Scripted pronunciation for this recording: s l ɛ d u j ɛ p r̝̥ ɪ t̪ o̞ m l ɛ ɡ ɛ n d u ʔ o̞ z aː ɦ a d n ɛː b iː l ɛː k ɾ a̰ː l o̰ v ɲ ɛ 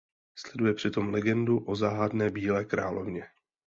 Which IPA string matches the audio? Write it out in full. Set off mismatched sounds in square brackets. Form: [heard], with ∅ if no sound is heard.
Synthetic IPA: s l ɛ d u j ɛ p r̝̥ ɪ t̪ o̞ m l ɛ ɡ ɛ n d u ʔ o̞ z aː ɦ a d n ɛː b iː l ɛː k ɾ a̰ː l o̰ v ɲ ɛ

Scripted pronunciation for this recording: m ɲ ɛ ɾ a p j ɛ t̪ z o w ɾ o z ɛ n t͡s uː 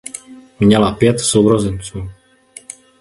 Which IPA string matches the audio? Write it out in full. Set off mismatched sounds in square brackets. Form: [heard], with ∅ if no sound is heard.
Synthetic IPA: m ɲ ɛ [l] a p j ɛ t̪ [s] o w ɾ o z ɛ n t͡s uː

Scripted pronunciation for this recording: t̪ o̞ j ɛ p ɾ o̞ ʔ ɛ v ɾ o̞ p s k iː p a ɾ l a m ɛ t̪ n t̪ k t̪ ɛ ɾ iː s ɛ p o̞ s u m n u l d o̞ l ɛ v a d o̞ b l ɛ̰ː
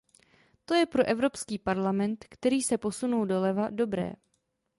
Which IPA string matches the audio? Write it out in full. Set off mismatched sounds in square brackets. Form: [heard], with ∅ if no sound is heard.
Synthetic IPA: t̪ o̞ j ɛ p ɾ o̞ ʔ ɛ v ɾ o̞ p s k iː p a ɾ l a m ɛ [∅] n t̪ k t̪ ɛ ɾ iː s ɛ p o̞ s u [∅] n u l d o̞ l ɛ v a d o̞ b [ɾ] ɛ̰ː

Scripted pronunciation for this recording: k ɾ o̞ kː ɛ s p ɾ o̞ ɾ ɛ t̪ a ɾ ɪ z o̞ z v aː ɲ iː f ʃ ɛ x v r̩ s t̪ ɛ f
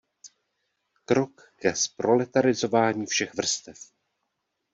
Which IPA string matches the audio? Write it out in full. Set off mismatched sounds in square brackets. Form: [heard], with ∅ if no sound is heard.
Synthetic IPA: k ɾ o̞ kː ɛ s p ɾ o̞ [l] ɛ t̪ a ɾ ɪ z o̞ [∅] v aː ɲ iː f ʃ ɛ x v r̩ s t̪ ɛ f

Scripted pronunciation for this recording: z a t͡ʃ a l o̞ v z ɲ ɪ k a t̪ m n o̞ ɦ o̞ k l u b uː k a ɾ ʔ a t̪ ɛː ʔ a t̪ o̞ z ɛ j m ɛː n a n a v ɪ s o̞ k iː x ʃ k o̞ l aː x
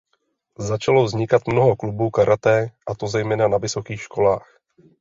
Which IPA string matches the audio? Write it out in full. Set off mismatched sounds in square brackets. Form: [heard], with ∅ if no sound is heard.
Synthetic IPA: z a t͡ʃ a l o̞ v z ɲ ɪ k a t̪ m n o̞ ɦ o̞ k l u b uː k a ɾ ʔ a t̪ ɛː ʔ a t̪ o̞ z ɛ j m ɛː n a n a v ɪ s o̞ k iː x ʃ k o̞ l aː x

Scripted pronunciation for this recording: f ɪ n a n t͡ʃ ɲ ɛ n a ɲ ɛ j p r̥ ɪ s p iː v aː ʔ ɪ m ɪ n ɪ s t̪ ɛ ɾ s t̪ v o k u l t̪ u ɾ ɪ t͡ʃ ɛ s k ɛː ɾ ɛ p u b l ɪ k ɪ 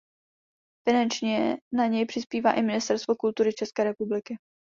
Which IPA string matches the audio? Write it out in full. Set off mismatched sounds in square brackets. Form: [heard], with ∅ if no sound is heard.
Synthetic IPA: f ɪ n a n t͡ʃ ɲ ɛ n a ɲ ɛ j p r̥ ɪ s p iː v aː ʔ ɪ m ɪ n ɪ s t̪ ɛ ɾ s t̪ v o k u l t̪ u ɾ ɪ t͡ʃ ɛ s k ɛː ɾ ɛ p u b l ɪ k ɪ

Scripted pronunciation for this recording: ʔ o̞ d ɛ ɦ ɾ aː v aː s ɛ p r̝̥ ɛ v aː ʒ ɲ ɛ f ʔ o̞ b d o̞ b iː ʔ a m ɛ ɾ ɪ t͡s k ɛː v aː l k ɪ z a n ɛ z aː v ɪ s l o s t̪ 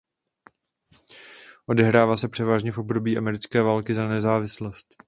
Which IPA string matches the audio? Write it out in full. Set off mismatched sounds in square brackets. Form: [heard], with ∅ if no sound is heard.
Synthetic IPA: ʔ o̞ d ɛ ɦ ɾ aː v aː s ɛ p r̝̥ ɛ v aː ʒ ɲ ɛ f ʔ o̞ b d o̞ b iː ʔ a m ɛ ɾ ɪ t͡s k ɛː v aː l k ɪ z a n ɛ z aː v ɪ s l o s t̪

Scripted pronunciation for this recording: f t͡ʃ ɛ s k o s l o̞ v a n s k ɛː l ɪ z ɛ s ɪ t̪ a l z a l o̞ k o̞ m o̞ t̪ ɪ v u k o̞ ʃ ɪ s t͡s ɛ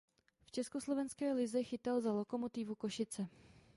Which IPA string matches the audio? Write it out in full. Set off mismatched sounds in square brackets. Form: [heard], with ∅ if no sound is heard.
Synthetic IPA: f t͡ʃ ɛ s k o s l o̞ v [ɛ] n s k ɛː l ɪ z ɛ [x] ɪ t̪ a l z a l o̞ k o̞ m o̞ t̪ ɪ v u k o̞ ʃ ɪ [∅] t͡s ɛ

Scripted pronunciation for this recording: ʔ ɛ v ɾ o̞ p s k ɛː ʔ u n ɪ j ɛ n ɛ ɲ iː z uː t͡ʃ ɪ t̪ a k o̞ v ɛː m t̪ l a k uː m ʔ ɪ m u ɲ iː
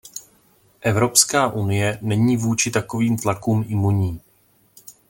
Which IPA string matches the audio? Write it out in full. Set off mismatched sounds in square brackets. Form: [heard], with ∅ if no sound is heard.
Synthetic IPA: ʔ ɛ v ɾ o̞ p s k [aː] ʔ u n ɪ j ɛ n ɛ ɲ iː [v] uː t͡ʃ ɪ t̪ a k o̞ v [iː] m t̪ l a k uː m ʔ ɪ m u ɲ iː

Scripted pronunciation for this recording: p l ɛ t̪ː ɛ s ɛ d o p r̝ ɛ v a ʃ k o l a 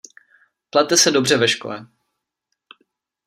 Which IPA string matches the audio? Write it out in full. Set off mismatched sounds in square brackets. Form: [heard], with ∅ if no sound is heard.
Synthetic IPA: p l [a] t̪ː ɛ s ɛ d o [b] r̝ ɛ v [ɛ] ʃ k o l [ɛ]

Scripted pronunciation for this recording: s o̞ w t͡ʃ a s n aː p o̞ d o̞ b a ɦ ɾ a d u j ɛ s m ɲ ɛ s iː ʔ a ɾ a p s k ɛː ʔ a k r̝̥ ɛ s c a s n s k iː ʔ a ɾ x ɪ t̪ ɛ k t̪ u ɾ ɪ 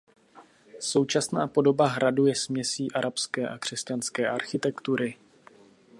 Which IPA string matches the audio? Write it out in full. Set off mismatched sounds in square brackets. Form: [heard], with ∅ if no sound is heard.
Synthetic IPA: s o̞ w t͡ʃ a s n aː p o̞ d o̞ b a ɦ ɾ a d u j ɛ s m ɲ ɛ s iː ʔ a ɾ a p s k ɛː ʔ a k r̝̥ ɛ s c a [∅] n s k [ɛː] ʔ a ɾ x ɪ t̪ ɛ k t̪ u ɾ ɪ

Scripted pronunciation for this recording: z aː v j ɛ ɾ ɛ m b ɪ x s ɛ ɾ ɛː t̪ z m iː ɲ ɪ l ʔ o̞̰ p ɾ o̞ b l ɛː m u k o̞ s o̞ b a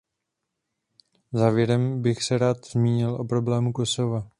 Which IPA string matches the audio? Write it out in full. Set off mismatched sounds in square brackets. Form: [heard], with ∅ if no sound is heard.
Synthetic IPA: z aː v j ɛ ɾ ɛ m b ɪ x s ɛ ɾ [aː] t̪ z m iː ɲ ɪ l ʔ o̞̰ p ɾ o̞ b l ɛː m u k o̞ s o̞ [v] a

